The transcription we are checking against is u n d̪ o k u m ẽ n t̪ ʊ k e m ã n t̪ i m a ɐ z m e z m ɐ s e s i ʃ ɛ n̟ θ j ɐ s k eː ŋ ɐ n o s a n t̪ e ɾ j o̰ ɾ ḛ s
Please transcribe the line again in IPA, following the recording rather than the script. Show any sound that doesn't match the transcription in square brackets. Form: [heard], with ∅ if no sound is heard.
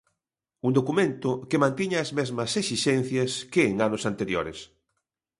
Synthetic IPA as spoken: u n d̪ o k u m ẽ n t̪ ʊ k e m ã n t̪ i [ɲ] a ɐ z m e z m ɐ s e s i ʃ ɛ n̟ θ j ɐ s k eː ŋ [a] n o s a n t̪ e ɾ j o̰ ɾ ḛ s